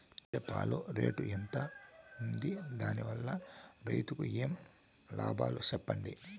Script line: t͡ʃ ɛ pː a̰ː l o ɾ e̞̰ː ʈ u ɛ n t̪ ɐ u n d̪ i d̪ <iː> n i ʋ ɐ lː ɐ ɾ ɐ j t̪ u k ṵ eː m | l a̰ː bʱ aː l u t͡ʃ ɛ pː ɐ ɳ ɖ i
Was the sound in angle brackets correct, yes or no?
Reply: no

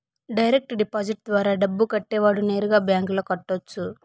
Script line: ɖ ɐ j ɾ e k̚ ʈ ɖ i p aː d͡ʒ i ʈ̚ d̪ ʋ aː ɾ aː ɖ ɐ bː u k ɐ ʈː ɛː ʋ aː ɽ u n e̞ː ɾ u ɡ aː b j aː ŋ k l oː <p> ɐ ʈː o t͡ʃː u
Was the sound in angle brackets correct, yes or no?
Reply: no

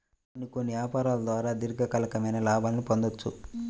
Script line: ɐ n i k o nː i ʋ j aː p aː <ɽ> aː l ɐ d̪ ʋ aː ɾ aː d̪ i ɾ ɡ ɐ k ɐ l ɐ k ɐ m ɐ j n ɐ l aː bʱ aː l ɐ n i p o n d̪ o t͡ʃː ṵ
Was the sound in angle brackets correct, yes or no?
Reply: no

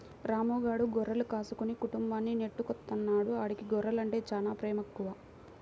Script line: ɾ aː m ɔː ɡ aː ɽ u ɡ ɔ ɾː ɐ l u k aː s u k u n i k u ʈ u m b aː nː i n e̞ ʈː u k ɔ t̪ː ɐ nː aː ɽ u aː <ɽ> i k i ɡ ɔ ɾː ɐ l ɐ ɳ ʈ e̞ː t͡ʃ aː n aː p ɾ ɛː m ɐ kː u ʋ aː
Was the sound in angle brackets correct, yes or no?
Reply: yes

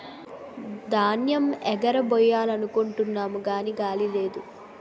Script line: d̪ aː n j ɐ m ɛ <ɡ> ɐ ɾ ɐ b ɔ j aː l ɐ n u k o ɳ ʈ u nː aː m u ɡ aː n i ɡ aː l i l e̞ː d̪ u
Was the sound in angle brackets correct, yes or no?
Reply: yes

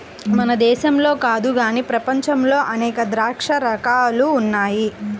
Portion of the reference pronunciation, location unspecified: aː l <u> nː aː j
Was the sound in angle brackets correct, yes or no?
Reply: no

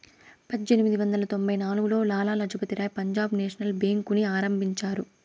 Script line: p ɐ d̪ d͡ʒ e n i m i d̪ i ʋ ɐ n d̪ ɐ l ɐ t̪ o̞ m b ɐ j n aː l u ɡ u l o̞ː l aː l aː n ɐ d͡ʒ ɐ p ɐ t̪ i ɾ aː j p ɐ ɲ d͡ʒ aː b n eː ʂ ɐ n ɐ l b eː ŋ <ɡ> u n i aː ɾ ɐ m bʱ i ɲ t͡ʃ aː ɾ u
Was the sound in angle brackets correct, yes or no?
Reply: no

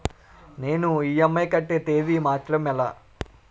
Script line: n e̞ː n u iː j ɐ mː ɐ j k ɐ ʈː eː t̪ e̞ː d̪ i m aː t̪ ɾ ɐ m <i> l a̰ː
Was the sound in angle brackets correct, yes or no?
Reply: no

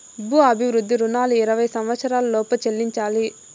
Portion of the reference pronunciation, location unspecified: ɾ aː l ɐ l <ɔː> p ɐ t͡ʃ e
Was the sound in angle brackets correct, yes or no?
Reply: yes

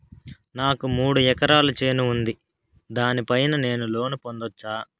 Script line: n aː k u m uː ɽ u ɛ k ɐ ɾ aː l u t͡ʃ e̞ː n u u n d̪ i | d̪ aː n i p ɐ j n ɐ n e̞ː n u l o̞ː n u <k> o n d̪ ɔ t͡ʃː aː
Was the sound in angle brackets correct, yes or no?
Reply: no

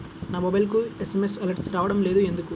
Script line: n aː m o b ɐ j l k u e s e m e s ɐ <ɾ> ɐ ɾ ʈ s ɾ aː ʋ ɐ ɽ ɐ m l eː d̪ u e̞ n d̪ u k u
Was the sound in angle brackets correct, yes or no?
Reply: no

